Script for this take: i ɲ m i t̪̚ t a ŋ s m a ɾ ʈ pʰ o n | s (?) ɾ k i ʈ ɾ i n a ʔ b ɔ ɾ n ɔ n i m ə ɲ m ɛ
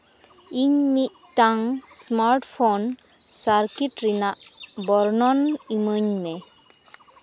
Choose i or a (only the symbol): a